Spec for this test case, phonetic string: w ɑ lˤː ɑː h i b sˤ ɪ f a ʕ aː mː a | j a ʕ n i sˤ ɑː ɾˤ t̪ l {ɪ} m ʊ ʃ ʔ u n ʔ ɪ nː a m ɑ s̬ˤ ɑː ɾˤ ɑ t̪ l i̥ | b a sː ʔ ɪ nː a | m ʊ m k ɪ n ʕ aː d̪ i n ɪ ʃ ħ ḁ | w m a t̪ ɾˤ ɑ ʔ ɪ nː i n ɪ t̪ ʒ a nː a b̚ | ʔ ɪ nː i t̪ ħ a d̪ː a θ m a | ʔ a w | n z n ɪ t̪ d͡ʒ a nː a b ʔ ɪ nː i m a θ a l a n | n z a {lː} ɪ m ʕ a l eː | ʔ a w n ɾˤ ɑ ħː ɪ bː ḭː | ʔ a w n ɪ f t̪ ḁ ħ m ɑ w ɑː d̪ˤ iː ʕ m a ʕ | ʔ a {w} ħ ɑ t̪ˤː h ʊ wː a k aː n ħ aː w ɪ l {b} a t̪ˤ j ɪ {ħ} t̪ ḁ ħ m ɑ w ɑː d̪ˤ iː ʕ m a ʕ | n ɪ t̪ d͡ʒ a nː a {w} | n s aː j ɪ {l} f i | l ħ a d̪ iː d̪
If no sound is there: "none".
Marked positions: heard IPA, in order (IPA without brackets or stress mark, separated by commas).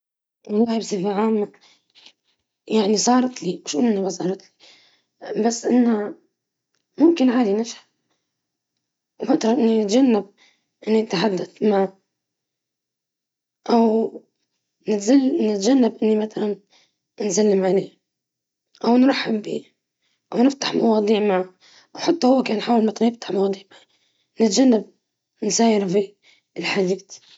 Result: i, lː, w, m, f, b, ɾ